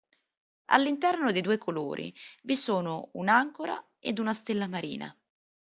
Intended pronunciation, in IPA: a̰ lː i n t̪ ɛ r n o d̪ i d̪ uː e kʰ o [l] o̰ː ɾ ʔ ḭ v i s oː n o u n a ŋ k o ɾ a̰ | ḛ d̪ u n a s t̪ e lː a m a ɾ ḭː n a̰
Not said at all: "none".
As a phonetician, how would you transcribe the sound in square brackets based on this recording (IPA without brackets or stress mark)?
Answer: l